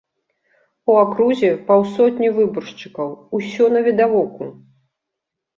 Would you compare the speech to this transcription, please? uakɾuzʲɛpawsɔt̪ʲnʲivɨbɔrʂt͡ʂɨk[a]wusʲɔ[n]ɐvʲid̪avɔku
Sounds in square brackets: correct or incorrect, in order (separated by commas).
incorrect, correct